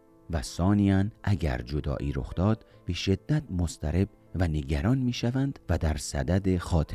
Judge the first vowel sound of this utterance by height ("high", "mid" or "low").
low